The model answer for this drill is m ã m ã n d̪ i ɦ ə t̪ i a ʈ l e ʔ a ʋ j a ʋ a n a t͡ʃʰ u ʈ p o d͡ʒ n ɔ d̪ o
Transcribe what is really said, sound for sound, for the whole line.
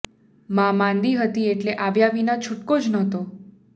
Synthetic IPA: m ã m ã n d̪ i ɦ ə t̪ i e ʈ l e ʔ a ʋ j a ʋ i n a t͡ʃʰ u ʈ k o d͡ʒ n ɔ t̪ o